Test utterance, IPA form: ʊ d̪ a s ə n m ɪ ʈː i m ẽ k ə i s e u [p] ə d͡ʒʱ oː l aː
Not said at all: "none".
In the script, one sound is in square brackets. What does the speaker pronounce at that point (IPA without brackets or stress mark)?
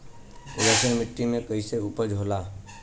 p